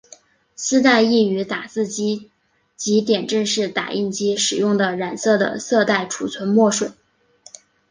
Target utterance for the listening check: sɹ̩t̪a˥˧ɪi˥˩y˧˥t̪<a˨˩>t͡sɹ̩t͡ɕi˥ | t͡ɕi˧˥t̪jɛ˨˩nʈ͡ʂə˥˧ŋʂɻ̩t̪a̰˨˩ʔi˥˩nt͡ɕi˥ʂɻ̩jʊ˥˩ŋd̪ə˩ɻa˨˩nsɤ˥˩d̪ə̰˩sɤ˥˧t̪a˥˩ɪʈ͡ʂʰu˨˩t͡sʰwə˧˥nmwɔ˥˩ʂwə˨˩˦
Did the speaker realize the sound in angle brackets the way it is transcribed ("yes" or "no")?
yes